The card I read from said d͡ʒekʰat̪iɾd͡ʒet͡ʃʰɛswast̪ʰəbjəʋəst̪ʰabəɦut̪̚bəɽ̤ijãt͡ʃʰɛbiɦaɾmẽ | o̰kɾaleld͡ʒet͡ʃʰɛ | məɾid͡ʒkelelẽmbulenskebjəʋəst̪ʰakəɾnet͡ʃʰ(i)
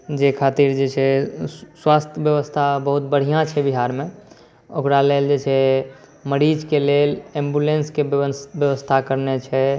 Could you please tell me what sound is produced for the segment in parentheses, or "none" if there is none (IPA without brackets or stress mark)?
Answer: ɛ